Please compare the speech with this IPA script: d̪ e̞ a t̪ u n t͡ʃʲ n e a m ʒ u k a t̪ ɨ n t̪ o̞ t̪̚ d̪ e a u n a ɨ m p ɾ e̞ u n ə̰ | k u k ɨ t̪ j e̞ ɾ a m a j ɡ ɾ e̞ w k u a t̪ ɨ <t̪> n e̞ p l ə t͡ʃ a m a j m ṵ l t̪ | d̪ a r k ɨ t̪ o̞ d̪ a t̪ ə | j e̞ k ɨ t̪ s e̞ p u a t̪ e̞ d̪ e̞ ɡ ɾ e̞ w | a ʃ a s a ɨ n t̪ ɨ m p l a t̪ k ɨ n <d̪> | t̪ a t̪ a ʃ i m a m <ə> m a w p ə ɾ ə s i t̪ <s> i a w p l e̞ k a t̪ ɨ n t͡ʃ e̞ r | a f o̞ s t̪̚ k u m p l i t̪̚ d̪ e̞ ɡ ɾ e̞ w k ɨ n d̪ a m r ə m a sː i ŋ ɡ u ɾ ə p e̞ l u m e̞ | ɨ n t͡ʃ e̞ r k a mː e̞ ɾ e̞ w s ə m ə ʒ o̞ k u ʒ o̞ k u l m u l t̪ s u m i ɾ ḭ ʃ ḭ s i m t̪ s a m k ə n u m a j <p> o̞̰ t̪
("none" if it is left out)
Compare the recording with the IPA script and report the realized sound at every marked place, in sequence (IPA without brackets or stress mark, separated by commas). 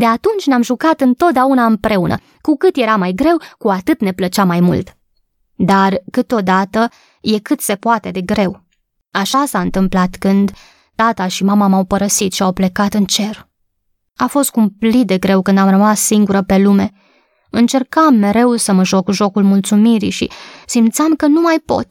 t̪, d̪, a, ʃ, p